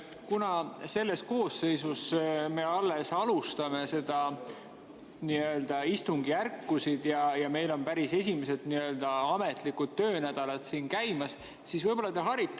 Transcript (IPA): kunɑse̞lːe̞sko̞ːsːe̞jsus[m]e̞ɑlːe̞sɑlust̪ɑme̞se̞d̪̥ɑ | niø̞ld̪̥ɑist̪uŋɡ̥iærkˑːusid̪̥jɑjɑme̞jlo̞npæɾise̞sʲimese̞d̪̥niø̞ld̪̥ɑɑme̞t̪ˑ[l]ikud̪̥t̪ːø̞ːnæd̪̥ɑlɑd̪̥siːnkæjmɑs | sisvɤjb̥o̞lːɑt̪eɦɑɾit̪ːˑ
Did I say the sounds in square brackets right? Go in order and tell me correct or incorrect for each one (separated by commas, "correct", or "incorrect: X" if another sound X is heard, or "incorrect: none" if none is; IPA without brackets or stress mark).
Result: correct, correct